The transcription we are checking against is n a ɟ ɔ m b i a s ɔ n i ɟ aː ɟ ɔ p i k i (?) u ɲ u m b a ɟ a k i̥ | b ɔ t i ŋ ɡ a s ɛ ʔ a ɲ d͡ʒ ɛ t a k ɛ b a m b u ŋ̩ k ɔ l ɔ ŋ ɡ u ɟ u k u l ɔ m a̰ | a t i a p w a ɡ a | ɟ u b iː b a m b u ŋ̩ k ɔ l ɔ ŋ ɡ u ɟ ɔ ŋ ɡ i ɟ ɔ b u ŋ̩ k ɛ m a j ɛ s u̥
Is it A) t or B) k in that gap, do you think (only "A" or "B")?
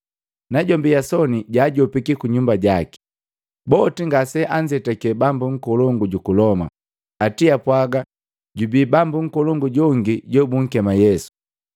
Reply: B